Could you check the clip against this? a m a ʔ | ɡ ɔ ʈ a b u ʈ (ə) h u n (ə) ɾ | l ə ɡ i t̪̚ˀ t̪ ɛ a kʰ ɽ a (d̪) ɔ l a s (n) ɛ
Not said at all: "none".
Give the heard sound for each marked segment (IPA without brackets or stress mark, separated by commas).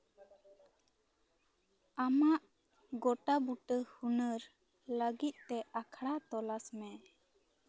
ə, ə, t̪, m